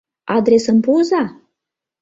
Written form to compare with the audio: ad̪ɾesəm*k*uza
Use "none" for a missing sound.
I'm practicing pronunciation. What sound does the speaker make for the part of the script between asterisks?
p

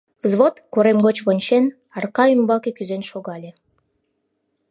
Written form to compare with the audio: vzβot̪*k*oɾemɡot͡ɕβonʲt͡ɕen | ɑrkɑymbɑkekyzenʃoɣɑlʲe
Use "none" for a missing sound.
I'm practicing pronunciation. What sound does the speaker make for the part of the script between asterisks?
k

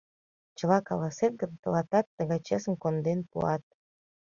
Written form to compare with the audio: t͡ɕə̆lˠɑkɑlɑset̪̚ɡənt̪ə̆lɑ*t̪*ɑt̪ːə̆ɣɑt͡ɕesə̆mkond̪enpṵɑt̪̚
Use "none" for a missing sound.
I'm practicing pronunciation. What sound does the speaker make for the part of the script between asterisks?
t̪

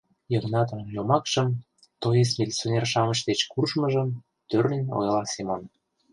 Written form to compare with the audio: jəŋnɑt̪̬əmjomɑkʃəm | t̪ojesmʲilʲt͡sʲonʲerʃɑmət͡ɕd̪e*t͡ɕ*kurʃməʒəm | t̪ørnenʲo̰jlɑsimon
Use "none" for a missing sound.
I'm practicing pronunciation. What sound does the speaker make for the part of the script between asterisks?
t͡ɕ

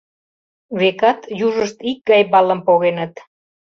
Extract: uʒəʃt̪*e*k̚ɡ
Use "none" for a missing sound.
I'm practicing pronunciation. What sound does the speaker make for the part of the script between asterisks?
i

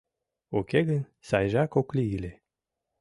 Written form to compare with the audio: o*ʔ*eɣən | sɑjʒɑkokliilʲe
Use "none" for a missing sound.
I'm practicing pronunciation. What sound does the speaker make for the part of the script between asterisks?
k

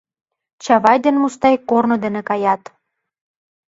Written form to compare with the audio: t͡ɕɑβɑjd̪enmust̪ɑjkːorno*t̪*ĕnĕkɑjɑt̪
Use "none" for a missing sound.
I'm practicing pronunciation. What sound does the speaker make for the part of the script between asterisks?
d̪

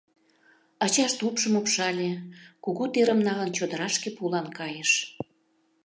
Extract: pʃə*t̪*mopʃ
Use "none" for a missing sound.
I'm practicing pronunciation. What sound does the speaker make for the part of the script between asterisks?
none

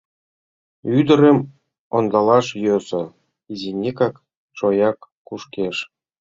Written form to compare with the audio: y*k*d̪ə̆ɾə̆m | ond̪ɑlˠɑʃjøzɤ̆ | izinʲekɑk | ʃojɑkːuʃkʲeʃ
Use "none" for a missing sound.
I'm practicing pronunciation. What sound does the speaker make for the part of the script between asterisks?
none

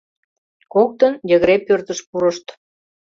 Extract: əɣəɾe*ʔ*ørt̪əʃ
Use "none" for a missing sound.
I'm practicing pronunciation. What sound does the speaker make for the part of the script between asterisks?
p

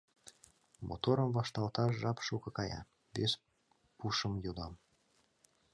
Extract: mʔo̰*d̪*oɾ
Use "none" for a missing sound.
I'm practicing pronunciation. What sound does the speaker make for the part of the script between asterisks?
t̪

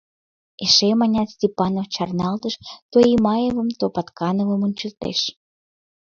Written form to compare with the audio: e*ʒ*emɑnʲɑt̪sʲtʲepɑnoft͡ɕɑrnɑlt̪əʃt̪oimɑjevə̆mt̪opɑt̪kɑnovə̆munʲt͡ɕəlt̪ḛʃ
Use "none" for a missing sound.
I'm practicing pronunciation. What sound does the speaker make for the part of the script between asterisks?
ʃ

